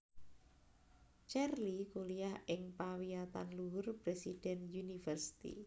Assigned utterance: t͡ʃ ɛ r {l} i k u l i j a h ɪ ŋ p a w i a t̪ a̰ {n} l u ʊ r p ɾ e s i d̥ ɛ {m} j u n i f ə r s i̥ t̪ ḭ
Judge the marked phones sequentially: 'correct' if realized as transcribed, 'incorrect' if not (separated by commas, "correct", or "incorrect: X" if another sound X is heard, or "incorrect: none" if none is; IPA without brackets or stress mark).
correct, correct, incorrect: n